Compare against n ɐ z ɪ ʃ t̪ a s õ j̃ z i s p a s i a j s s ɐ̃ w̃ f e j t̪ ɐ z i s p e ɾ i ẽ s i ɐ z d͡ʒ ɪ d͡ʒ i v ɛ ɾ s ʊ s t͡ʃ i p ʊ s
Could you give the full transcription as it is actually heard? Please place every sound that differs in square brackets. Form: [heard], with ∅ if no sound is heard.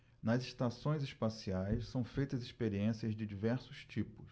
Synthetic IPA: n ɐ z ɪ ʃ t̪ a s õ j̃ z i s p a s i a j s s ɐ̃ w̃ f e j t̪ ɐ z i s p e ɾ i ẽ s i ɐ z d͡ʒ ɪ d͡ʒ i v ɛ ɾ s ʊ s t͡ʃ i p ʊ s

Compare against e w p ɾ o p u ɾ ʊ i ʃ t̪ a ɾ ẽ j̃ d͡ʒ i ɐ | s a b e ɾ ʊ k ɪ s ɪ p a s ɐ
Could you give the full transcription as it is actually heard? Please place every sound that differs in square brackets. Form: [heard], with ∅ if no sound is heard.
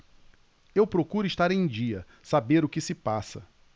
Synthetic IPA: e w p ɾ o [k] u ɾ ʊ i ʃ t̪ a ɾ ẽ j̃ d͡ʒ i ɐ | s a b e ɾ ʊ k ɪ s ɪ p a s ɐ

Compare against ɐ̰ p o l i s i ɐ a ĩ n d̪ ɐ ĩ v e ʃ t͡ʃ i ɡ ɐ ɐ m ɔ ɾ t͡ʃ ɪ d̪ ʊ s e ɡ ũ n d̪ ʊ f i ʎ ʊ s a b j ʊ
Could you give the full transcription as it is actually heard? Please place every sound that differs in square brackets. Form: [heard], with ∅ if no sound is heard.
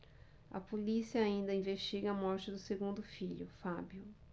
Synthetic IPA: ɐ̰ p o l i s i ɐ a ĩ n d̪ ɐ ĩ v e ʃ t͡ʃ i ɡ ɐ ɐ m ɔ ɾ t͡ʃ ɪ d̪ ʊ s e ɡ ũ n d̪ ʊ f i ʎ ʊ [f] a b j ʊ

